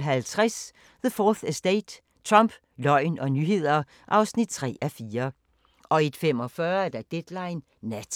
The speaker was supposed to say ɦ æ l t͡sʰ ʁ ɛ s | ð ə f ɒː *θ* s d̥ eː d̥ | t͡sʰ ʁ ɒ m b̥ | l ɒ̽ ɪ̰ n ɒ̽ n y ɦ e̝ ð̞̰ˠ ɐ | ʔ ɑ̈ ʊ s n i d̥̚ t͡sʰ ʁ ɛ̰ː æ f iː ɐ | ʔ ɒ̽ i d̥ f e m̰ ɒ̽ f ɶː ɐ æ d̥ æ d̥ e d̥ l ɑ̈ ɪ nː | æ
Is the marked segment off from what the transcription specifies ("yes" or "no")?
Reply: no